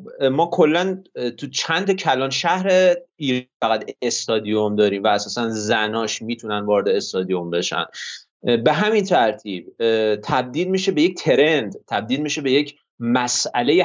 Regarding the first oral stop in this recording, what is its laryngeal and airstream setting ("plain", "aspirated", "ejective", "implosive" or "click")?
aspirated